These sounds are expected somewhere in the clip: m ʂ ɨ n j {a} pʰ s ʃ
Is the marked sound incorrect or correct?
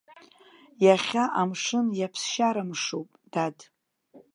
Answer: correct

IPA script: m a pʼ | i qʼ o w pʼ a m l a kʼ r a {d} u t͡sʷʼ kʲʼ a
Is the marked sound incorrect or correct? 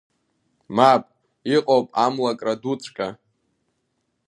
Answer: correct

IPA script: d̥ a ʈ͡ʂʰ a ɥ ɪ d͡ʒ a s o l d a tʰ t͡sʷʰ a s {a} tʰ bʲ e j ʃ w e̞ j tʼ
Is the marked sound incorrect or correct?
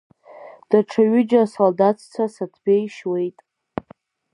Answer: correct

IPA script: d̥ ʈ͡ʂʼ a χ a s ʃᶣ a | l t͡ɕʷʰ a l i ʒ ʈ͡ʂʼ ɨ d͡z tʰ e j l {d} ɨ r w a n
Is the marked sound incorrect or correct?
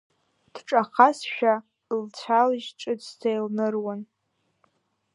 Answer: incorrect: n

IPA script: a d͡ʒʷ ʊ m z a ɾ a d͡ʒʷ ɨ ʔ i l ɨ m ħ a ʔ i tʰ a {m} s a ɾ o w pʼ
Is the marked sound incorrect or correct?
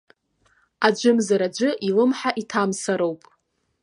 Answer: correct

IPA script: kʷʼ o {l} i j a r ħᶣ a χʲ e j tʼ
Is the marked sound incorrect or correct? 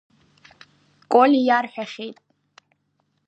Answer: correct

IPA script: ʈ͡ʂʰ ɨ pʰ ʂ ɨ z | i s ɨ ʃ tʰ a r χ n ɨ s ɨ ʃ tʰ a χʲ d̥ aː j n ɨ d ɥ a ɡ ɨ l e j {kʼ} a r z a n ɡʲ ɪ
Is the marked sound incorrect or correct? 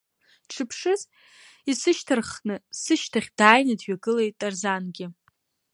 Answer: incorrect: tʼ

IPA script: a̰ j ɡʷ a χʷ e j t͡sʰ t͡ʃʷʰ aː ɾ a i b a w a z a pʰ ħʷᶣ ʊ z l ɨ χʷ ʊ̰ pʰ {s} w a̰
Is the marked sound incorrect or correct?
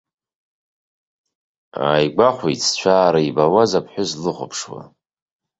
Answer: incorrect: ʂ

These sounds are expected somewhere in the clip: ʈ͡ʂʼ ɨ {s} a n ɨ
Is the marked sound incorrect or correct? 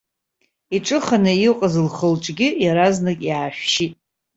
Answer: incorrect: χ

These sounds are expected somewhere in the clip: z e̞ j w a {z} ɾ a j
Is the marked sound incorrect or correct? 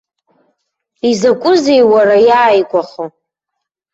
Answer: incorrect: none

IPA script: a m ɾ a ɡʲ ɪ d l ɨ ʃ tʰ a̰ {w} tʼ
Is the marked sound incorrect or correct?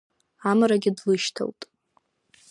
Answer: correct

